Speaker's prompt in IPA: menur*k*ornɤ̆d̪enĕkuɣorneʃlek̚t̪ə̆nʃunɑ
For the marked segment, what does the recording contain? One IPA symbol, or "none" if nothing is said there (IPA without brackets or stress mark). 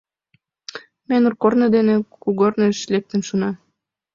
k